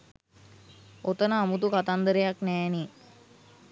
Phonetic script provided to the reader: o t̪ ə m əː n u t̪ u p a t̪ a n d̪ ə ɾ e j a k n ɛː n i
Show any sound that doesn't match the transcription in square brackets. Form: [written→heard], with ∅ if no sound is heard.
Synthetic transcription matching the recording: o t̪ ə [m→n] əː [n→m] u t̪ u [p→k] a t̪ a n d̪ ə ɾ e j a k n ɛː n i